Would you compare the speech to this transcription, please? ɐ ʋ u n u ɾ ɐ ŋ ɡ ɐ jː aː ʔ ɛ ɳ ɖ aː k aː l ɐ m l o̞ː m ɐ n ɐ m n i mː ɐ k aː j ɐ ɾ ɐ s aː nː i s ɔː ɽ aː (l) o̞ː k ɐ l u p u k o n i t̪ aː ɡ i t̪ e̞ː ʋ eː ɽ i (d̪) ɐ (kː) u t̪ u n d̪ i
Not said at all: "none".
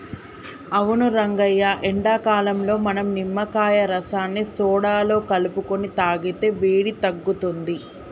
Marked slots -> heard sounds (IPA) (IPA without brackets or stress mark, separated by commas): l, t̪, ɡː